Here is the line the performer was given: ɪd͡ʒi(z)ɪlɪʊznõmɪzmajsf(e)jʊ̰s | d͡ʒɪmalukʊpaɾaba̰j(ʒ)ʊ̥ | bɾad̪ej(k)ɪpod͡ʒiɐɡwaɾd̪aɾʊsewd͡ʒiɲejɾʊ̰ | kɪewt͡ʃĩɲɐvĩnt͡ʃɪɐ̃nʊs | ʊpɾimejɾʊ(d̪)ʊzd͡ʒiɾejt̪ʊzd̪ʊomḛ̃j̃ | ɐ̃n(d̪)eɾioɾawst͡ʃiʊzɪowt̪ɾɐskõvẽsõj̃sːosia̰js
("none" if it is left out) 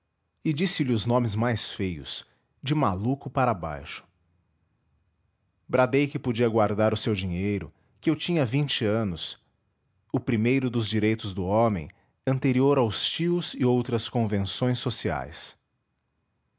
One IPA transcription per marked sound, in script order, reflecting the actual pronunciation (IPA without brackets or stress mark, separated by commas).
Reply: s, e, ʃ, k, d̪, t̪